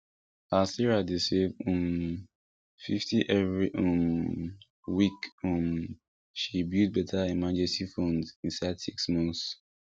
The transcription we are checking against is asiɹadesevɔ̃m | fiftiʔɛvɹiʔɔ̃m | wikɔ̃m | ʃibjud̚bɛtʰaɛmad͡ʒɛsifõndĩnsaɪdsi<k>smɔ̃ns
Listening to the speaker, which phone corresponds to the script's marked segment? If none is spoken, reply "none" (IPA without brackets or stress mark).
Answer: k